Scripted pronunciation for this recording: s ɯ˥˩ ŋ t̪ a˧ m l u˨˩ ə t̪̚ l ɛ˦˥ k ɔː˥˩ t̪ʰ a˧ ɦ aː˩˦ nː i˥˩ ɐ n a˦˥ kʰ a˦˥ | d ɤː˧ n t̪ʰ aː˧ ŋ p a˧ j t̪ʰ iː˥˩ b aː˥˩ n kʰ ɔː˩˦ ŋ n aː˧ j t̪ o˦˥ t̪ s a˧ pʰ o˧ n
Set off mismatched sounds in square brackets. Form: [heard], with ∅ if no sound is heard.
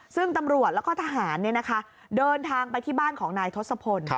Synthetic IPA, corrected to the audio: s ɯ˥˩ ŋ t̪ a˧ m [ɾ] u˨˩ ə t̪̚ l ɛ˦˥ k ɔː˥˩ t̪ʰ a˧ ɦ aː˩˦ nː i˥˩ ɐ n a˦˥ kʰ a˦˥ | d ɤː˧ n t̪ʰ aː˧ ŋ p a˧ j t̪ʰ iː˥˩ b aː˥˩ n kʰ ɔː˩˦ ŋ n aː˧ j [t̪ʰ] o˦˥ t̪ s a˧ pʰ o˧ n